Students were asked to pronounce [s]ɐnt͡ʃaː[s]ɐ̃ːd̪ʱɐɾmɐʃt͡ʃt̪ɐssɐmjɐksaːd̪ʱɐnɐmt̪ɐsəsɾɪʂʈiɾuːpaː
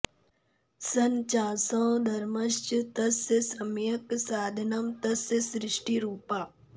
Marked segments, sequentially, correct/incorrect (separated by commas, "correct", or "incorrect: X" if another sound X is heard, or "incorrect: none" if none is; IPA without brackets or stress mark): correct, correct